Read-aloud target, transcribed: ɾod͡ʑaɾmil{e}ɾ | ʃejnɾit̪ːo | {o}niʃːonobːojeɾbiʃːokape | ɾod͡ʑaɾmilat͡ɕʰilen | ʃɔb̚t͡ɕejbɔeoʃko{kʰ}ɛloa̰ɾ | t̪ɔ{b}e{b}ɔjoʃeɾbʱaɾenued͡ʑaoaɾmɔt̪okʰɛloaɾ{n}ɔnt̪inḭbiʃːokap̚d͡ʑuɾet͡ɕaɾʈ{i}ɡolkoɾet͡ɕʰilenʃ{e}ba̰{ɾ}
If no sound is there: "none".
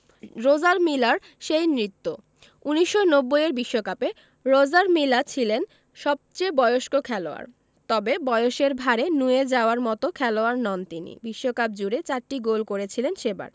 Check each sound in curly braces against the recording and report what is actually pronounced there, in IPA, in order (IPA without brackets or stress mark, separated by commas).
a, u, kʰ, b, b, n, i, e, ɾ